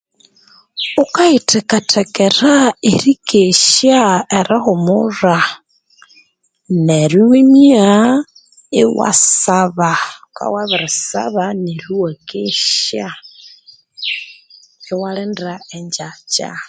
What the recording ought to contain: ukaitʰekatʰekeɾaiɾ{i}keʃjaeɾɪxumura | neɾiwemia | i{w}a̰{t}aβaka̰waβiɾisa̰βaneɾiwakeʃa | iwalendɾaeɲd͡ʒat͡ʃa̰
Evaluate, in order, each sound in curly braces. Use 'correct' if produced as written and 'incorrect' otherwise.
correct, correct, incorrect

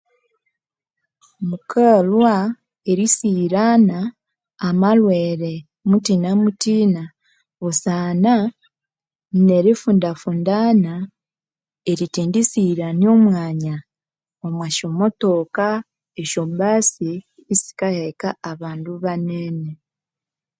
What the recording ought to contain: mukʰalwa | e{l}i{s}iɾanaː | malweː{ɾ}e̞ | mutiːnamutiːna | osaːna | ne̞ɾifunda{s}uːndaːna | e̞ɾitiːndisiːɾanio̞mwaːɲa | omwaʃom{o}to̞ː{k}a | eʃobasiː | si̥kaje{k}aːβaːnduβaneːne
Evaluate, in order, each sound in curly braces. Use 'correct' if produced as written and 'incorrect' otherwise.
incorrect, correct, correct, incorrect, correct, correct, correct

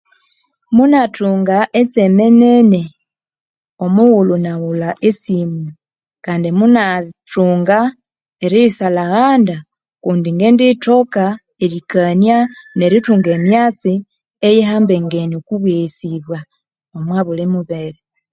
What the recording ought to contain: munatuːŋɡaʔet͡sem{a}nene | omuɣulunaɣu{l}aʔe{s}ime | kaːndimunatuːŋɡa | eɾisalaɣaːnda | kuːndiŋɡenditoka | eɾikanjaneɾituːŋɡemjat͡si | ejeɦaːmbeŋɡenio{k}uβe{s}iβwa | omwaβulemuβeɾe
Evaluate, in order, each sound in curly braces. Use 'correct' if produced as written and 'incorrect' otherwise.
incorrect, correct, correct, correct, correct

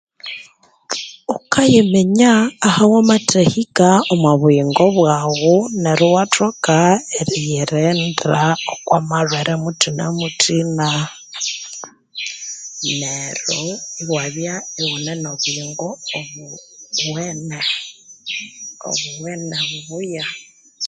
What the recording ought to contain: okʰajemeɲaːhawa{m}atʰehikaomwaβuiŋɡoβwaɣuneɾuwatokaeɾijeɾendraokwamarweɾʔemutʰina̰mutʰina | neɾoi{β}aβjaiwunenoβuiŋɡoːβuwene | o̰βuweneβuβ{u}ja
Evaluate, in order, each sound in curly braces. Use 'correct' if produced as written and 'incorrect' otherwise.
correct, incorrect, correct

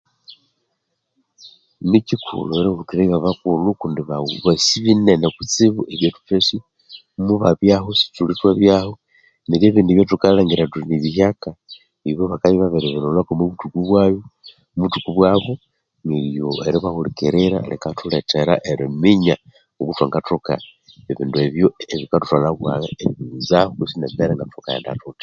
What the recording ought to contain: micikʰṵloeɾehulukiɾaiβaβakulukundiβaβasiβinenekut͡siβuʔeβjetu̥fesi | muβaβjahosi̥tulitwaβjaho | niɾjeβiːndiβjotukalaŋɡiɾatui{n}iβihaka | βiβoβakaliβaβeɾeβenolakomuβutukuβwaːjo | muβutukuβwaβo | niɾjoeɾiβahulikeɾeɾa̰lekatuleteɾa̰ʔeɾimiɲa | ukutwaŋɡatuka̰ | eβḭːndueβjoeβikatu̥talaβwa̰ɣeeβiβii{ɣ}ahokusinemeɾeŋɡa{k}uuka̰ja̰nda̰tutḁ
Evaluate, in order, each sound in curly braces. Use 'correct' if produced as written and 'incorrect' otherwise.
correct, incorrect, incorrect

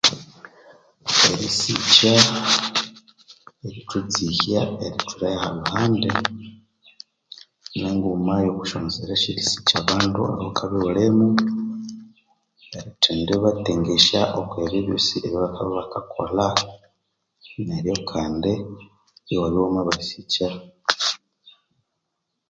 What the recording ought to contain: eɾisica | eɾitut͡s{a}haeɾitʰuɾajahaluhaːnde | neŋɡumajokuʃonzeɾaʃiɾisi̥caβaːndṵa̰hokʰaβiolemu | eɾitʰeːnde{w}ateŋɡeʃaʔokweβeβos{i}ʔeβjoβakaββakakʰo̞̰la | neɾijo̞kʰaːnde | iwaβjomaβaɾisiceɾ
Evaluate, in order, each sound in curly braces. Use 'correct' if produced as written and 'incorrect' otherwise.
incorrect, incorrect, correct

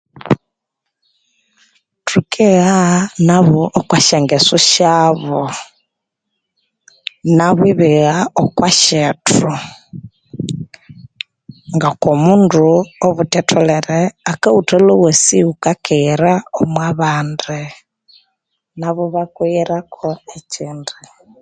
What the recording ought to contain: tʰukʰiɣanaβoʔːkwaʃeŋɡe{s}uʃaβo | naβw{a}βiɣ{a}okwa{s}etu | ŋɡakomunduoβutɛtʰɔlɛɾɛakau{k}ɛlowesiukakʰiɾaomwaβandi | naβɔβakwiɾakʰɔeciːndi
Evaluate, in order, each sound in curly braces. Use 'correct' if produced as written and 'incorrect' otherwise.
correct, incorrect, correct, incorrect, incorrect

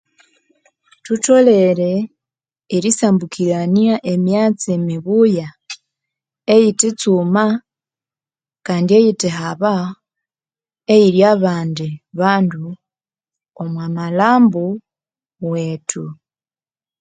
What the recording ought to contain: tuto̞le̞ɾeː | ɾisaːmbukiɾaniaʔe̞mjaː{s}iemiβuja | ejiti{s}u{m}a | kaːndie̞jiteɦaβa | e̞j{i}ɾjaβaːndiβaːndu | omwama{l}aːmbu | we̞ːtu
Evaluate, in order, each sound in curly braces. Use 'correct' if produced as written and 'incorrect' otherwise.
incorrect, incorrect, correct, correct, correct

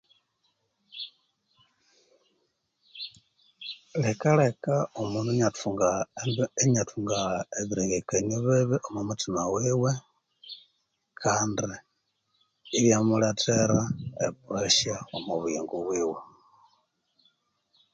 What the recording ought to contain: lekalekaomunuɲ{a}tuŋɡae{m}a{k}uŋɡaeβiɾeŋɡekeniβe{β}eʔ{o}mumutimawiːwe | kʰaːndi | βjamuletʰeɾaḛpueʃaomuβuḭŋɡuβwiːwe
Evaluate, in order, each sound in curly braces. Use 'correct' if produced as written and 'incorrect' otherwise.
correct, incorrect, incorrect, correct, correct

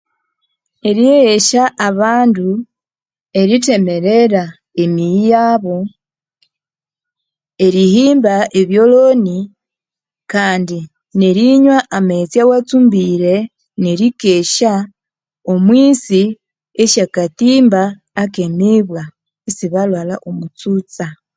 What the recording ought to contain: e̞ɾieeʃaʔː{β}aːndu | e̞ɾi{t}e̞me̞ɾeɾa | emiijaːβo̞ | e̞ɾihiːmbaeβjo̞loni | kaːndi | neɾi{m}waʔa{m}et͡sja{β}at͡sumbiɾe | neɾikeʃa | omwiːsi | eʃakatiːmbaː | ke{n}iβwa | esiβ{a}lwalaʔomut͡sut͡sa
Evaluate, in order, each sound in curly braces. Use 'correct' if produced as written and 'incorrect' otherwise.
correct, correct, incorrect, correct, incorrect, incorrect, correct

